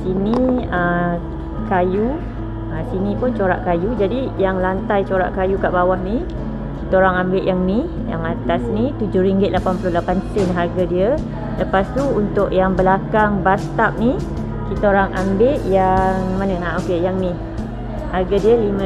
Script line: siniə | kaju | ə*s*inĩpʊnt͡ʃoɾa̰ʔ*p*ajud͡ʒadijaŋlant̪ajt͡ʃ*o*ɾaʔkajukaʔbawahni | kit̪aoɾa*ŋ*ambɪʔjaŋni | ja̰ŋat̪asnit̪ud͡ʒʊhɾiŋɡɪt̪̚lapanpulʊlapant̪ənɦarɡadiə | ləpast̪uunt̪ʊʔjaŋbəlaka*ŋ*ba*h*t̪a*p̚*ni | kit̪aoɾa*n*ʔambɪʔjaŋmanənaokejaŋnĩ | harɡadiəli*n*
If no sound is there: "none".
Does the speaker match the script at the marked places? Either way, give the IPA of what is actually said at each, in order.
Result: s, k, o, ŋ, ŋ, s, p̚, ŋ, m

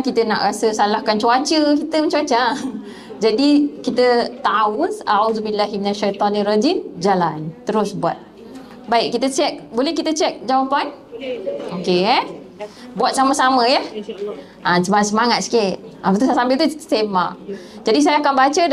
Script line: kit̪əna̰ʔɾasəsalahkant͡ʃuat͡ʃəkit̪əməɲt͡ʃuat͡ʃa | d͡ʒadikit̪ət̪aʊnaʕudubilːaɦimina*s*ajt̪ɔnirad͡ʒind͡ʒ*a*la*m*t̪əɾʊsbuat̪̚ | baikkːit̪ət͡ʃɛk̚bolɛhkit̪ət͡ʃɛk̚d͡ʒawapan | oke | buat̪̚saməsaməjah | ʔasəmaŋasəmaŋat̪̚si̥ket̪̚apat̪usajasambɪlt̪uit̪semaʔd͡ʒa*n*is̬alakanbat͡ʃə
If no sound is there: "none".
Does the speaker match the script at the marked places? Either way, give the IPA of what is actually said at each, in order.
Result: ʃ, a, n, d

